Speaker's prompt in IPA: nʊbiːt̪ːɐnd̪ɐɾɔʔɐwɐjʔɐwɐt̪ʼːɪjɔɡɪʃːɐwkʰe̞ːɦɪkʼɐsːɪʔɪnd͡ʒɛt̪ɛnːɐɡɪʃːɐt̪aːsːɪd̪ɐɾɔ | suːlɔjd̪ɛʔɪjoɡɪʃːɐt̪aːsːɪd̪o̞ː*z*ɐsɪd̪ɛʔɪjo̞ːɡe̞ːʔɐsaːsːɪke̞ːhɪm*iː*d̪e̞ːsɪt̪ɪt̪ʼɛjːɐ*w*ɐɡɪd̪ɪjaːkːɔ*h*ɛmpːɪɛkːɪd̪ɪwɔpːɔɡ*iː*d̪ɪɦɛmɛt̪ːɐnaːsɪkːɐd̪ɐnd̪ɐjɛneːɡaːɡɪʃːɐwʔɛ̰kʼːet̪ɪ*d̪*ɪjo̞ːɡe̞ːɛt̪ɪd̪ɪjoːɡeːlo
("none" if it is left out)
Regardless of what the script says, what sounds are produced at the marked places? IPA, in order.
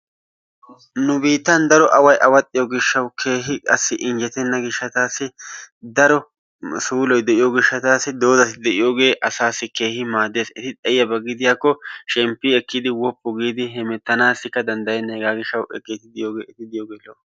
z, aː, b, ʃ, iː, d̪

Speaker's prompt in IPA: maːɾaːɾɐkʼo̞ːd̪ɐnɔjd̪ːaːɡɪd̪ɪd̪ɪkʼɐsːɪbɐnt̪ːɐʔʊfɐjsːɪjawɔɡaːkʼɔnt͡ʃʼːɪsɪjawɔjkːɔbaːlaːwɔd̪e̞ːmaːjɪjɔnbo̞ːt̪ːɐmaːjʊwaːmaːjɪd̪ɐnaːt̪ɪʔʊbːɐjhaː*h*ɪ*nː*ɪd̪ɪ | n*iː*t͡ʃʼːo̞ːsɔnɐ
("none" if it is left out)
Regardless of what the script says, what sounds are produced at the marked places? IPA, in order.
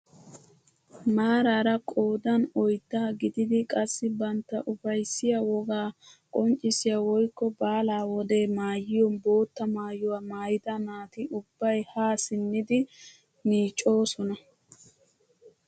s, nː, iː

